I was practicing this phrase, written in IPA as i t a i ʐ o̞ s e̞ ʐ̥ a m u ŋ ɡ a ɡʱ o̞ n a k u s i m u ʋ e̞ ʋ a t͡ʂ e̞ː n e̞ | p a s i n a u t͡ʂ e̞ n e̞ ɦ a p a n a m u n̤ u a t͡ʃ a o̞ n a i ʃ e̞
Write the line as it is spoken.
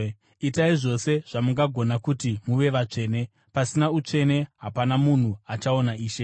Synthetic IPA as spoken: i t a i ʐ o̞ s e̞ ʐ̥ a m u ŋ ɡ a ɡʱ o̞ n a k u t i m u ʋ e̞ ʋ a t͡ʂ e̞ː n e̞ | p a s i n a u t͡ʂ e̞ n e̞ ɦ a p a n a m u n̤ u a t͡ʃ a o̞ n a iː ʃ e̞